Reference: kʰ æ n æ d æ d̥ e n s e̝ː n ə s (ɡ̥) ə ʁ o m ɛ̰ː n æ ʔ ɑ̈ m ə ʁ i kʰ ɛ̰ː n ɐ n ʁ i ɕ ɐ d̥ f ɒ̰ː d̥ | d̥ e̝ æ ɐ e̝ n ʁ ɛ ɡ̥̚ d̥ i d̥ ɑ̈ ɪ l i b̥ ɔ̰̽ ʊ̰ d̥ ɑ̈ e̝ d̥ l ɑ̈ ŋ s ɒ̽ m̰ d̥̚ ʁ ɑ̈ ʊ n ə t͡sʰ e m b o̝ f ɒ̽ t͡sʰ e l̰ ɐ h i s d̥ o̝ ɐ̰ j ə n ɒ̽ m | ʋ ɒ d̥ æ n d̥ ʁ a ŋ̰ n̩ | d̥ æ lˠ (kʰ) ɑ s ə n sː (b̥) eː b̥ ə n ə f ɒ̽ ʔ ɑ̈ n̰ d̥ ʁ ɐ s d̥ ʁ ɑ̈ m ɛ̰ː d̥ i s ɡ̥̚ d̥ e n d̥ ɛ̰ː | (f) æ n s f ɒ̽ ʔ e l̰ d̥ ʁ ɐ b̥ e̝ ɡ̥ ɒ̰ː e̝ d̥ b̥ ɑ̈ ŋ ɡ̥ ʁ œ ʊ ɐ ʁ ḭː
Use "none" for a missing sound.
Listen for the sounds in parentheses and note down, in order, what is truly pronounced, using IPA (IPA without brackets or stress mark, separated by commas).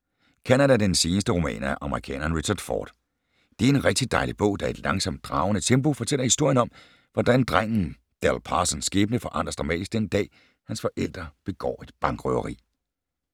d̥, pʰ, ɡ̥, h